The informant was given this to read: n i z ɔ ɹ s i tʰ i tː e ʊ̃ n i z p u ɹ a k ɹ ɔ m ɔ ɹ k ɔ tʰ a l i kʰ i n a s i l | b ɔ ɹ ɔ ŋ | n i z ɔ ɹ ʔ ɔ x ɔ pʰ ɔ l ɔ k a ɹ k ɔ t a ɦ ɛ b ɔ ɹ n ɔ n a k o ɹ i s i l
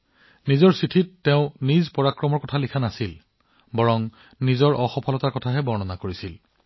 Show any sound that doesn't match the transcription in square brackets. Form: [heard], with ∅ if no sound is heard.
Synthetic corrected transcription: n i z ɔ ɹ s i tʰ i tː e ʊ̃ n i z p [ɔ] ɹ a k ɹ ɔ m ɔ ɹ k ɔ tʰ a l i kʰ [a] n a s i l | b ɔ ɹ ɔ ŋ | n i z ɔ ɹ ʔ ɔ x ɔ pʰ ɔ l ɔ [t] a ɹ k ɔ [tʰ] a ɦ ɛ b ɔ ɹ n ɔ n a k o ɹ i s i l